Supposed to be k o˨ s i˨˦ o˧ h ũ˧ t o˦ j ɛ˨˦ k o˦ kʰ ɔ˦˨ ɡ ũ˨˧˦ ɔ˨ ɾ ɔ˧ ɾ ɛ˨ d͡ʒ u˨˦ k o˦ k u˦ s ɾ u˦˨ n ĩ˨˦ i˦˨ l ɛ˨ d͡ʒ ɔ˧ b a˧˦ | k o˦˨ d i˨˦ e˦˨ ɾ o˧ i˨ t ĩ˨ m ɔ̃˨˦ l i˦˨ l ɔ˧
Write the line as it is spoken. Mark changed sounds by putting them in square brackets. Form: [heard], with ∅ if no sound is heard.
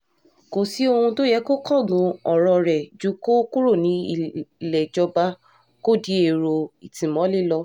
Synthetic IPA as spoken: k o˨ s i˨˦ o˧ h ũ˧ t o˦ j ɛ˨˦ k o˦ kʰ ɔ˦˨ ɡ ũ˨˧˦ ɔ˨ ɾ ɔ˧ ɾ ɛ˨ d͡ʒ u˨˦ k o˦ k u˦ [∅] ɾ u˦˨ n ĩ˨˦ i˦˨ l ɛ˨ d͡ʒ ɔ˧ b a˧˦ | k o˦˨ d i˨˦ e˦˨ ɾ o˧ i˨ t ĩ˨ m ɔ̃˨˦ l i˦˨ l ɔ˧